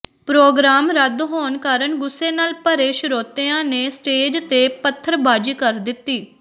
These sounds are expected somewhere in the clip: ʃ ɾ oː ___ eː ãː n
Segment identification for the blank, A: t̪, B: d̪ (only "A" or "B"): A